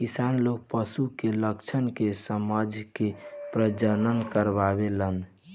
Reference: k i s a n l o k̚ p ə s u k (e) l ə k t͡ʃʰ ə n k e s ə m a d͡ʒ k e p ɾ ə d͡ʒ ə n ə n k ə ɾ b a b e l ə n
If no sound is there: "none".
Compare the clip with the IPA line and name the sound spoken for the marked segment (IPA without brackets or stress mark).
e